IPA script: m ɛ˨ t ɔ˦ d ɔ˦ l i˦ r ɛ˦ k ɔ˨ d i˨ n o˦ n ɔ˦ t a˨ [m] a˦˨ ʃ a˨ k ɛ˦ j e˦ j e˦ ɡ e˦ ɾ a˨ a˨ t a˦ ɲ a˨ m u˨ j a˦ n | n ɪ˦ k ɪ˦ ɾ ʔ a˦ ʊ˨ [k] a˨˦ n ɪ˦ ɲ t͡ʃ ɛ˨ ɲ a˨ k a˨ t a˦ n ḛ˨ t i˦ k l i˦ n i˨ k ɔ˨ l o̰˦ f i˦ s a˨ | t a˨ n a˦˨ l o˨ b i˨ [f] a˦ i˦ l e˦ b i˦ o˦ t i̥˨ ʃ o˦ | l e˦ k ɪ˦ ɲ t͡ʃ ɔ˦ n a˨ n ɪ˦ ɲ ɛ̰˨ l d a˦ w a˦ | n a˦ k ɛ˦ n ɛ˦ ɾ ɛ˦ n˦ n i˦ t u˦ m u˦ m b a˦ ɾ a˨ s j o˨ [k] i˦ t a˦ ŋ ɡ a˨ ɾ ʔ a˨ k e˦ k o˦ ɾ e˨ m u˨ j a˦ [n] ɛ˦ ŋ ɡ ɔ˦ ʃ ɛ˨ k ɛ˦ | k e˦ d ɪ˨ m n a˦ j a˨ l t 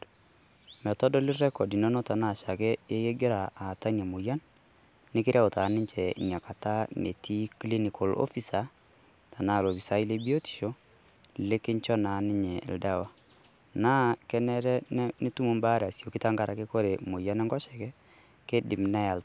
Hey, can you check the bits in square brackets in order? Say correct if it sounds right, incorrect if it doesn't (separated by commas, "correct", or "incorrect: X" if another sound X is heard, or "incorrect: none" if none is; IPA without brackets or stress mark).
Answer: incorrect: n, incorrect: t, incorrect: s, correct, correct